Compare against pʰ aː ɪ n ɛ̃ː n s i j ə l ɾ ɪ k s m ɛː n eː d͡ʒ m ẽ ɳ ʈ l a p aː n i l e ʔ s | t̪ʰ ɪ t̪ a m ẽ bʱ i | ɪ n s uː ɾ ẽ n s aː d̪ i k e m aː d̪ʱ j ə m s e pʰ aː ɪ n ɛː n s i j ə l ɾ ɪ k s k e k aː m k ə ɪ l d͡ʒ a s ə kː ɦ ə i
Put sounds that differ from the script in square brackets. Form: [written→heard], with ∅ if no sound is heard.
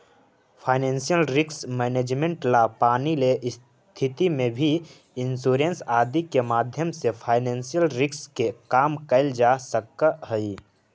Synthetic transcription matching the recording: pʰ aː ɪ n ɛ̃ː n s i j ə l ɾ ɪ k s m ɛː n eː d͡ʒ m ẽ ɳ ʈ l a p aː n i l e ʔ s | t̪ʰ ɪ t̪ [a→i] m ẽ bʱ i | ɪ n s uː ɾ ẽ n s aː d̪ i k e m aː d̪ʱ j ə m s e pʰ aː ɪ n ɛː n s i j ə l ɾ ɪ k s k e k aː m k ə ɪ l d͡ʒ a s ə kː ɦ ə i